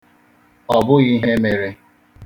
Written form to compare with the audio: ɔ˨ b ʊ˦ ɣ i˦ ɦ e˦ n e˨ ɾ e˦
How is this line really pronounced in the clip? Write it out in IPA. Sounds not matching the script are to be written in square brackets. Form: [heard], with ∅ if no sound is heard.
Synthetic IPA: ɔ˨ b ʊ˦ ɣ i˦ ɦ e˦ [m] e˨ ɾ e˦